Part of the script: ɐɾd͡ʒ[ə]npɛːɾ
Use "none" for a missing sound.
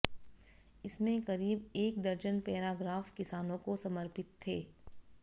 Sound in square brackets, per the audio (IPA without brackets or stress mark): ə